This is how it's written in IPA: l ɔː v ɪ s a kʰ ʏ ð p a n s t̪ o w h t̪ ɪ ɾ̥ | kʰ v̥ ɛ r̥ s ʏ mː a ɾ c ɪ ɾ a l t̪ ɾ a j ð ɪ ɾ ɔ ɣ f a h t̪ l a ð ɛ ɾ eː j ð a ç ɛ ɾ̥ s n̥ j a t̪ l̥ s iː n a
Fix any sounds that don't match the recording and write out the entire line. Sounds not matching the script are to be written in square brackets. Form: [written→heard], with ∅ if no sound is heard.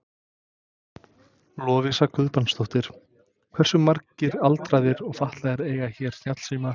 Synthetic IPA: l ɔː v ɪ s a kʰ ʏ ð p a n s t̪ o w h t̪ ɪ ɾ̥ | kʰ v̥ ɛ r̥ s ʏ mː a ɾ c ɪ ɾ a l t̪ ɾ a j ð ɪ ɾ ɔ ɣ f a h t̪ l a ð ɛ ɾ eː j [ð→ɣ] a ç ɛ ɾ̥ s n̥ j a t̪ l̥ s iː [n→m] a